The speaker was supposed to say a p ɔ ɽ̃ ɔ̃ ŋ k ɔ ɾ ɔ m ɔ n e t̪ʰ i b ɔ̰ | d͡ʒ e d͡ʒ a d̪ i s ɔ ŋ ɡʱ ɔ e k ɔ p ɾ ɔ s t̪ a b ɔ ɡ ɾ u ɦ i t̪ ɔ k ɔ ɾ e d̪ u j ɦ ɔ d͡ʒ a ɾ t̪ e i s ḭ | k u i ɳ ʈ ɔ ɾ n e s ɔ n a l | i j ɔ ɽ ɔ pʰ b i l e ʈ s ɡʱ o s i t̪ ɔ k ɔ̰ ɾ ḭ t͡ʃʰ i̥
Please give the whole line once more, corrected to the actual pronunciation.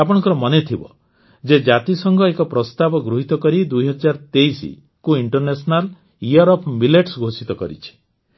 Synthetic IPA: a p ɔ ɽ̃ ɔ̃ ŋ k ɔ ɾ ɔ m ɔ n e t̪ʰ i b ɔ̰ | d͡ʒ e d͡ʒ a t̪ i s ɔ ŋ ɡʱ ɔ e k ɔ p ɾ ɔ s t̪ a b ɔ ɡ ɾ u ɦ i t̪ ɔ k ɔ ɾ i d̪ u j ɦ ɔ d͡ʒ a ɾ t̪ e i s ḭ | k u i ɳ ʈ ɔ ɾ n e s ɔ n a l | i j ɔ ɾ ɔ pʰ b i l e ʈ s ɡʱ o s i t̪ ɔ k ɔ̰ ɾ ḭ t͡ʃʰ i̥